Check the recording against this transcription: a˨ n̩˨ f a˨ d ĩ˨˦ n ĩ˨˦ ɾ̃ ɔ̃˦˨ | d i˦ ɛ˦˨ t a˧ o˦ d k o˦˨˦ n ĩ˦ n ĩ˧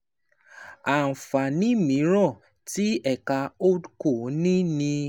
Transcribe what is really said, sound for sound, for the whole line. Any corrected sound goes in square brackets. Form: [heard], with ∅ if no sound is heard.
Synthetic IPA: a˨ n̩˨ f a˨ [n] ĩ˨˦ [m] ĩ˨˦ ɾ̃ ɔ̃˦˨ | [t] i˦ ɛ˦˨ [k] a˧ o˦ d k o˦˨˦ n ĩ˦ n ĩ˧